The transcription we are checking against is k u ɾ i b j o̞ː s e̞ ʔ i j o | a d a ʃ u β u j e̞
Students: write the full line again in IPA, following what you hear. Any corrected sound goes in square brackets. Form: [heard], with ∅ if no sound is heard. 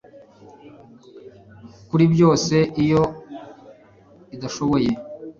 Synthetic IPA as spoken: k u ɾ i b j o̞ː s e̞ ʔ i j o | [i] d a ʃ [o] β [o] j e̞